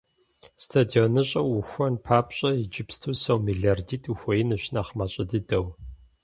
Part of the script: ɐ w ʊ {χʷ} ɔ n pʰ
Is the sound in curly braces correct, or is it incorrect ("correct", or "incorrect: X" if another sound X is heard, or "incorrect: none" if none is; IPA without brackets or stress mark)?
incorrect: xʷ